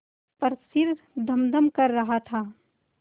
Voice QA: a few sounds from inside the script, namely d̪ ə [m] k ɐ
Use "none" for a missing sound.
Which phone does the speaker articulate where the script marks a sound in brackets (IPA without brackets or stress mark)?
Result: m